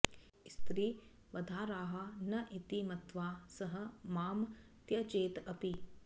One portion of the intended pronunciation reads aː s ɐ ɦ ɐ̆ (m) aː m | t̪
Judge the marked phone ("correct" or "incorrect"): correct